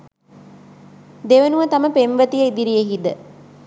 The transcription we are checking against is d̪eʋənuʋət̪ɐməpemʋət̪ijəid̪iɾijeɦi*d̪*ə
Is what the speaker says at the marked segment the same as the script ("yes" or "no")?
yes